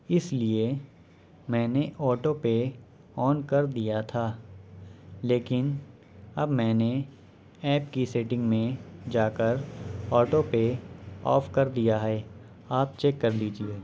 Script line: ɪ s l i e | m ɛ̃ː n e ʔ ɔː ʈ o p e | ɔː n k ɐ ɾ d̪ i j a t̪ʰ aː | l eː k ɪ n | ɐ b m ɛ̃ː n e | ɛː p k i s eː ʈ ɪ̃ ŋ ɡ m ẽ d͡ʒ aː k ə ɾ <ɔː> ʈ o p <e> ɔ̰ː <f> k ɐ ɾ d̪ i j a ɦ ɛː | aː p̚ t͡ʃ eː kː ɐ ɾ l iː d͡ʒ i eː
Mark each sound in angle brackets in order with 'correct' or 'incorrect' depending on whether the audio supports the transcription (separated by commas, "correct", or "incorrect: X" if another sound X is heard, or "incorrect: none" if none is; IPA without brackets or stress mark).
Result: correct, correct, correct